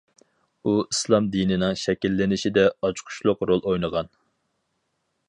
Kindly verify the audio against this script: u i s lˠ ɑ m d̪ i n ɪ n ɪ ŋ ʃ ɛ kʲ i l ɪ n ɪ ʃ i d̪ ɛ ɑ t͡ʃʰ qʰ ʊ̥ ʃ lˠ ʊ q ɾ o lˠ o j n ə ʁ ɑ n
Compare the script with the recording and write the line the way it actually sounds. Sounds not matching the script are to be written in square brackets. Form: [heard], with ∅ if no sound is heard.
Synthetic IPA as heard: u i s lˠ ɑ m d̪ i n ɪ n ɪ ŋ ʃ ɛ kʲ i [lː] ɪ n ɪ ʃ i d̪ ɛ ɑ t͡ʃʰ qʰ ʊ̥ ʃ lˠ ʊ q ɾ o lˠ o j n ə ʁ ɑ n

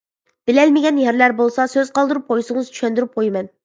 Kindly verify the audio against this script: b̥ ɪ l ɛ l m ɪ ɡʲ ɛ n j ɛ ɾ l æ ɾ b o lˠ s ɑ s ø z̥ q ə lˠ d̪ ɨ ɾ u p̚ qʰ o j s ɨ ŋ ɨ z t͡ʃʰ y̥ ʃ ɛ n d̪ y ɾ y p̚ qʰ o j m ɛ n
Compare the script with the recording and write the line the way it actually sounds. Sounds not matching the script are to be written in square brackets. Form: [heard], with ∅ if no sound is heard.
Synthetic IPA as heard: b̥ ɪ l ɛ l m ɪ ɡʲ ɛ n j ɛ ɾ l æ ɾ b o lˠ s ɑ s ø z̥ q [ɑ] lˠ d̪ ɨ ɾ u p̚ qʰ o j s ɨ ŋ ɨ z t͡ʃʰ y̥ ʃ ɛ n d̪ y ɾ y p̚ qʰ o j m ɛ n

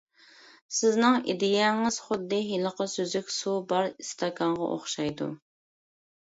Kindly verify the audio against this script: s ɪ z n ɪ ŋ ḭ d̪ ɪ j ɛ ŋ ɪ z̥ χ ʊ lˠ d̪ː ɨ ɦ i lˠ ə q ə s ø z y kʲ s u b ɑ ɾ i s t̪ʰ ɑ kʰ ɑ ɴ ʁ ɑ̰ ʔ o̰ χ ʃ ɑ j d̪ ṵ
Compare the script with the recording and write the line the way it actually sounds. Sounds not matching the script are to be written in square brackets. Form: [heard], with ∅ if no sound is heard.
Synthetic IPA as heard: s ɪ z n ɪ ŋ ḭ d̪ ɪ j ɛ ŋ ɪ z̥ χ ʊ [∅] d̪ː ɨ ɦ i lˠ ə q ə s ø z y kʲ s u b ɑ ɾ i s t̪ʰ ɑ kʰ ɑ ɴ ʁ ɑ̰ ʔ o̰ χ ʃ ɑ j d̪ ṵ

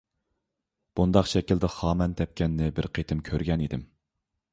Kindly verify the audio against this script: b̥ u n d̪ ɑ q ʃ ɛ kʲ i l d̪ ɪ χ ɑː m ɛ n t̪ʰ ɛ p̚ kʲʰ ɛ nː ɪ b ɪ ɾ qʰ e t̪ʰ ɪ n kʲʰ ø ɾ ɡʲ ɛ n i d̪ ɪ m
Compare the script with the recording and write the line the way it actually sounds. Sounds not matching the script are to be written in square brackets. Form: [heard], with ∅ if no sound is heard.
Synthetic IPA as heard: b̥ u n d̪ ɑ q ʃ ɛ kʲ i l d̪ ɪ χ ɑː m ɛ n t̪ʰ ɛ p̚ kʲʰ ɛ nː ɪ b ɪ ɾ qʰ e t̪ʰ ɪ [m] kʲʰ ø ɾ ɡʲ ɛ n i d̪ ɪ m

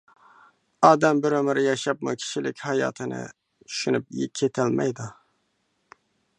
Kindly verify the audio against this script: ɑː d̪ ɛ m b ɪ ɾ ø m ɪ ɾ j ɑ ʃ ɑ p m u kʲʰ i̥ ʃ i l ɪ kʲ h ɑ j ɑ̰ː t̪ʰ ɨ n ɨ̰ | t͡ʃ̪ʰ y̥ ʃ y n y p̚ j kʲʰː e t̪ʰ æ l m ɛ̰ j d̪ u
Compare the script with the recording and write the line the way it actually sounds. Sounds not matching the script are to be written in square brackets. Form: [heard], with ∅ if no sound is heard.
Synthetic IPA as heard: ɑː d̪ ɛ m b ɪ ɾ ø m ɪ ɾ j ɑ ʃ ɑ p m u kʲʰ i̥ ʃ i l ɪ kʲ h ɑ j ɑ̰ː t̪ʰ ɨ n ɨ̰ | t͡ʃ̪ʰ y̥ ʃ y n y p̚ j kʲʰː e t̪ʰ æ l m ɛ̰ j d̪ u

